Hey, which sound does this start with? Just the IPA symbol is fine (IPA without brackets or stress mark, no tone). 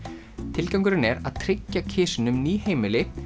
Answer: t̪ʰ